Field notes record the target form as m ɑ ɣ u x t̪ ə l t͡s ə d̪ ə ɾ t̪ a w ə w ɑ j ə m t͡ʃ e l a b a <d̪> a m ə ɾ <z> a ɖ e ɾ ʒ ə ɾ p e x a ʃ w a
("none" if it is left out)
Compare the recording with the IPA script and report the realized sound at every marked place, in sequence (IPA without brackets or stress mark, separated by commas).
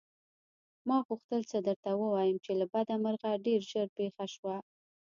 d̪, ɣ